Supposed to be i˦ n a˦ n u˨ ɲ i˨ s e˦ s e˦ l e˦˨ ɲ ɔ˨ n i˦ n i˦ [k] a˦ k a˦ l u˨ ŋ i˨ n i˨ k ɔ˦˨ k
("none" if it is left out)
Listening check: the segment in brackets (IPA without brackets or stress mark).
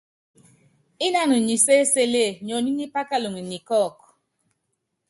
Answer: p